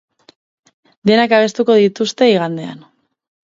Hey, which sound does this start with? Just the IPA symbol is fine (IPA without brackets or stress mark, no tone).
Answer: d̪